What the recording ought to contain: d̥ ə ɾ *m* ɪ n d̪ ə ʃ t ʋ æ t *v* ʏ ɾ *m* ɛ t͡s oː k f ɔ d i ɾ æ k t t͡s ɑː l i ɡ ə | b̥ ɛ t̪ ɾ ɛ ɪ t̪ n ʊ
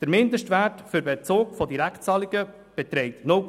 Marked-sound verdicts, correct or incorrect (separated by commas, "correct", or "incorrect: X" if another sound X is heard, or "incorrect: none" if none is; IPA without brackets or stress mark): correct, incorrect: f, incorrect: b